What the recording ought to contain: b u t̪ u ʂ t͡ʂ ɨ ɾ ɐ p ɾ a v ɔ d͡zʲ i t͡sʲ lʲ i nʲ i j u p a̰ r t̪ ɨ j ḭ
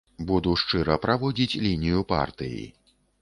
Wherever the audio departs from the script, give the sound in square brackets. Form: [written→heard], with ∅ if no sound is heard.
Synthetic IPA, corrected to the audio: b u [t̪→d̪] u ʂ t͡ʂ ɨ ɾ ɐ p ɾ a v ɔ d͡zʲ i t͡sʲ lʲ i nʲ i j u p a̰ r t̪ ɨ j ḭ